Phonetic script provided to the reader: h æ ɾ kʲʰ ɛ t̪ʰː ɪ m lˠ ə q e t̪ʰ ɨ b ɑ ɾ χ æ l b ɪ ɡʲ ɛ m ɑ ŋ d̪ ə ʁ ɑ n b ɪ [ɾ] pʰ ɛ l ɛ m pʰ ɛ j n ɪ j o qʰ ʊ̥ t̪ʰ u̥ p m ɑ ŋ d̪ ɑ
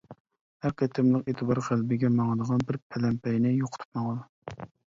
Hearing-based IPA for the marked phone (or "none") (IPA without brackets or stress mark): ɾ